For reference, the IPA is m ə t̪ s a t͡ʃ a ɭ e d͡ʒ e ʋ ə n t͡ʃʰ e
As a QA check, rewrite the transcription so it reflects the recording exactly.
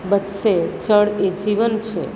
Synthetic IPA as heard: b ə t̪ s e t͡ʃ ə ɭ e d͡ʒ i ʋ ə n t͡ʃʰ e